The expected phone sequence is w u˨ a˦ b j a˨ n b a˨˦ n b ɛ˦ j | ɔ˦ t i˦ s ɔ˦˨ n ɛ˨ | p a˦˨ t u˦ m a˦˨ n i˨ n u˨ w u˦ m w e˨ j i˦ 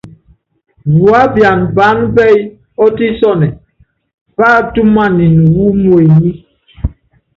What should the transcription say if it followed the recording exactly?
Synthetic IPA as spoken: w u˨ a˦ b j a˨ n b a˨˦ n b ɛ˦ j | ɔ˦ t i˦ s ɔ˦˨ n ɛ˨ | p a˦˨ t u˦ m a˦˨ n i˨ n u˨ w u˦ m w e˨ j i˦